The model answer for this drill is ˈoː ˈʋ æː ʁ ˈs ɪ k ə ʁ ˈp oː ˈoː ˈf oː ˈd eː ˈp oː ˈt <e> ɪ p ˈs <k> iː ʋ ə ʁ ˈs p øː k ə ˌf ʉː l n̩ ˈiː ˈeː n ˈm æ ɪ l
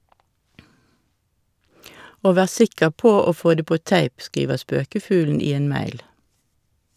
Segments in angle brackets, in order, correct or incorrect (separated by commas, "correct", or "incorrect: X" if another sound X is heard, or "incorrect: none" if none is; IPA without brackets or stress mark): incorrect: æ, correct